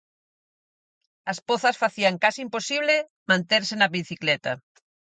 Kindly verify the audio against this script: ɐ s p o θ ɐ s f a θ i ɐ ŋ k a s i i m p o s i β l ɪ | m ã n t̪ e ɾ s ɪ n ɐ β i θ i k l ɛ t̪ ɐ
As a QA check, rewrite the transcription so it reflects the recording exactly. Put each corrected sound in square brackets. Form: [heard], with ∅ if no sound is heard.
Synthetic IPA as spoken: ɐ s p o θ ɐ s f a θ i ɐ ŋ k a s i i m p o s i β l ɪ | m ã n t̪ e ɾ s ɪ n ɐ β i θ i k l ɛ t̪ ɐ